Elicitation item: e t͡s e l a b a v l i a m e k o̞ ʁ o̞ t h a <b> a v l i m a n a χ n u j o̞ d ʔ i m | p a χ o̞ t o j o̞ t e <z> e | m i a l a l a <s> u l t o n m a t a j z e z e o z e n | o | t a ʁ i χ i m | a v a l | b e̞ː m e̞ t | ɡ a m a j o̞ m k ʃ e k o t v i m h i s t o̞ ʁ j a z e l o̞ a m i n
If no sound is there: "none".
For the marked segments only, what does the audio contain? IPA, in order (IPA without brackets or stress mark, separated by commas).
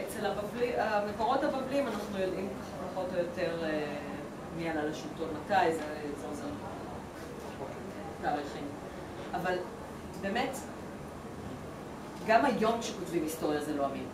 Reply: b, ʁ, ʃ